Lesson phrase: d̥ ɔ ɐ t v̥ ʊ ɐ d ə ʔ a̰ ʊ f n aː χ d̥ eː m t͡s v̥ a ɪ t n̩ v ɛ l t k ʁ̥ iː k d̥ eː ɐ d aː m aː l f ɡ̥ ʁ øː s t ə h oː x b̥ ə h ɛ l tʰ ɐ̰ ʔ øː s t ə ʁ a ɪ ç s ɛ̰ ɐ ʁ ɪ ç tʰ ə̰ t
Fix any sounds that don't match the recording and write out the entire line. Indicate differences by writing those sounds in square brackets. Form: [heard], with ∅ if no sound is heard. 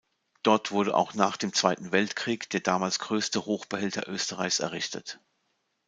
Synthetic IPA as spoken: d̥ ɔ ɐ t v̥ ʊ ɐ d ə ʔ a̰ ʊ [x] n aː χ d̥ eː m t͡s v̥ a ɪ t n̩ v ɛ l t k ʁ̥ iː k d̥ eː ɐ d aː m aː l [s] ɡ̥ ʁ øː s t ə h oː x b̥ ə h ɛ l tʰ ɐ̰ ʔ øː s t ə ʁ a ɪ ç s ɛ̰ ɐ ʁ ɪ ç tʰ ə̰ t